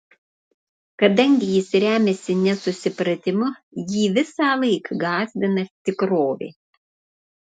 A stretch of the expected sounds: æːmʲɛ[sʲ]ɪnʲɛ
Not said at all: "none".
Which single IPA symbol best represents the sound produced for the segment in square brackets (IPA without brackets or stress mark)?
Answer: sʲ